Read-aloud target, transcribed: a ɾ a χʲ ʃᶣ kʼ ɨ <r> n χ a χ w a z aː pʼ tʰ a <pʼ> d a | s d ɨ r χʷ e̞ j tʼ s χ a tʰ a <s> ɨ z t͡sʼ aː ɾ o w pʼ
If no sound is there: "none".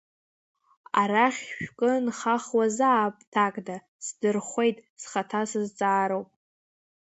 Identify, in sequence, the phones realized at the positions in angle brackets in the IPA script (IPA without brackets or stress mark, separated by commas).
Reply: none, kʼ, s